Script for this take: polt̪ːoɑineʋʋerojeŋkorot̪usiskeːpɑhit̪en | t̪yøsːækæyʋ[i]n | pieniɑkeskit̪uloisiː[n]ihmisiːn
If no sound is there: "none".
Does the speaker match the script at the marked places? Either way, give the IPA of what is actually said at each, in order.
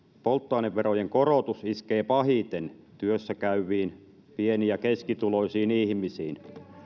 iː, n

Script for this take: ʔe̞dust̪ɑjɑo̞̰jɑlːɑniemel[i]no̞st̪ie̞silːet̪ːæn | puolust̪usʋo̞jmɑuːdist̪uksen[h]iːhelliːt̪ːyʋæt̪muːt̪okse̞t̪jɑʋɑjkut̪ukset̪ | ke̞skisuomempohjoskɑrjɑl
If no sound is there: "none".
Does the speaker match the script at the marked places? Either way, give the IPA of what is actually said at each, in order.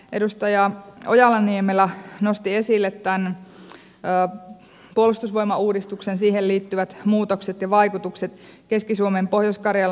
æ, s

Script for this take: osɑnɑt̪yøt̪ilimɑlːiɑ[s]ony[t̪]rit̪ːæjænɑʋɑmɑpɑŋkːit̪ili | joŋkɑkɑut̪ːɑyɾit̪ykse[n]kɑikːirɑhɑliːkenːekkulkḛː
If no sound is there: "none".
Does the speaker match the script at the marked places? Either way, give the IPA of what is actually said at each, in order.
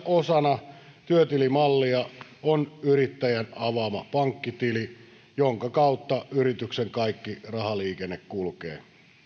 none, none, ŋ

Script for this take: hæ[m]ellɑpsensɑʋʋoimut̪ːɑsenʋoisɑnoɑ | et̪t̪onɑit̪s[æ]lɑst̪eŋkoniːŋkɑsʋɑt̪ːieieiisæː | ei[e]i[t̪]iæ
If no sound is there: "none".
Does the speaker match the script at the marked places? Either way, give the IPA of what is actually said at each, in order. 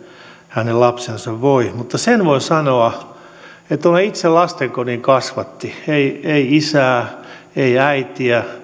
n, e, æ, t̪

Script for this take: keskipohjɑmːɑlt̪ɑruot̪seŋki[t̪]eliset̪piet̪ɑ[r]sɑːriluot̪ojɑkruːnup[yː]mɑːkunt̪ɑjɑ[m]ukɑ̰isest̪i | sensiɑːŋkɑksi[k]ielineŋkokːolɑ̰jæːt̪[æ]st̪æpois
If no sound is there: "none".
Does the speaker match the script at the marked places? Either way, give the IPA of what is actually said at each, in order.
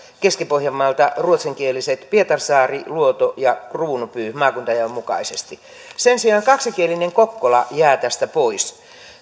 none, r, yː, m, k, æ

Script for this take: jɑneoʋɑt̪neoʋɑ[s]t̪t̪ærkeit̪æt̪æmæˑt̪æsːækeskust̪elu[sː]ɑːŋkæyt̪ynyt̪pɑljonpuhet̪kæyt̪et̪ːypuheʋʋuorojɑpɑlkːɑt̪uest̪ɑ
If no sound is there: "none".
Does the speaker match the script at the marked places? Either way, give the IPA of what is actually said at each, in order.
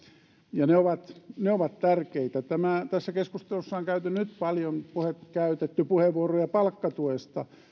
none, sː

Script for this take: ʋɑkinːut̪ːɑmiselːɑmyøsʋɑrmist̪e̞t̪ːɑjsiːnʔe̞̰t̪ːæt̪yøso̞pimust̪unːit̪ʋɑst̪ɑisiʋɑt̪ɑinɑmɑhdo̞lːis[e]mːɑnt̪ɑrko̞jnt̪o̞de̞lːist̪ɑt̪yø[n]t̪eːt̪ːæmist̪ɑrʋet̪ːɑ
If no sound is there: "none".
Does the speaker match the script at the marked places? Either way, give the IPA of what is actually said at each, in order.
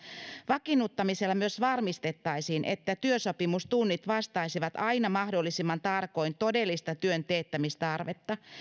i, n

